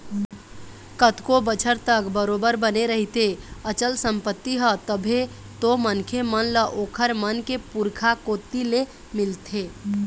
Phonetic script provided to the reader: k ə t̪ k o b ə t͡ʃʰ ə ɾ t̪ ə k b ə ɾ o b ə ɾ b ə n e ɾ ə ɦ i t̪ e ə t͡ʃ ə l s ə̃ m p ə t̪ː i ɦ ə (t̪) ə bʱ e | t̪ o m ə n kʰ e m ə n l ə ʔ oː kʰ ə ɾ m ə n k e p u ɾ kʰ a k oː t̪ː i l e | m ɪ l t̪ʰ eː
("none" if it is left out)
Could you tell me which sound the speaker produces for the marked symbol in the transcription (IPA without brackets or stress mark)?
t̪